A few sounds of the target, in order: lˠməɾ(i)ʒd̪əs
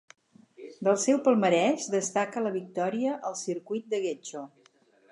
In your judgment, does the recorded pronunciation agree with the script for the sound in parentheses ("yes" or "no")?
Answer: no